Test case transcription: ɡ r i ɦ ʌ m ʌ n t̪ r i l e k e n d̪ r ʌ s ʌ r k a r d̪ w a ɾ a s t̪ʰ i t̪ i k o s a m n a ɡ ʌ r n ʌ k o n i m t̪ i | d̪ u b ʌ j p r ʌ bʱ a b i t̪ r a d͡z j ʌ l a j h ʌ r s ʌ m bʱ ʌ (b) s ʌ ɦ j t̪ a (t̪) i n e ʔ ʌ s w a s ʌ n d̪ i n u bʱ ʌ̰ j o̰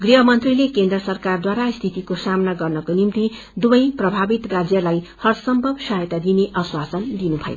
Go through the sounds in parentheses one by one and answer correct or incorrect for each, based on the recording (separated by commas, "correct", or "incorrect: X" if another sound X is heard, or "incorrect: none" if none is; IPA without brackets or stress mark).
correct, incorrect: d̪